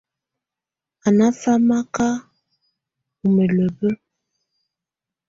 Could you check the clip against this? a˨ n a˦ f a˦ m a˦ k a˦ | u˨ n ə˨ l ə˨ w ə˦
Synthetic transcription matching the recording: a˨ n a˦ f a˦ m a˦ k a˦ | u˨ m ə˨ l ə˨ b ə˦